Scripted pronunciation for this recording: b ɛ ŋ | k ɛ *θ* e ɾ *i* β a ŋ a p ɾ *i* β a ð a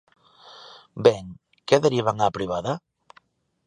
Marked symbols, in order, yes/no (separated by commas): no, yes, yes